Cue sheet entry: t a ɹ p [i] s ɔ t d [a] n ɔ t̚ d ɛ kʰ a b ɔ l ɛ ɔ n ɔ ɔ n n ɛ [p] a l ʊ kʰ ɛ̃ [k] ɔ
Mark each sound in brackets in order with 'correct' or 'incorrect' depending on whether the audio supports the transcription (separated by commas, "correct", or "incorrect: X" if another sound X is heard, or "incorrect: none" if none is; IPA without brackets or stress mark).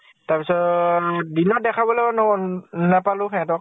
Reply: correct, incorrect: i, correct, incorrect: t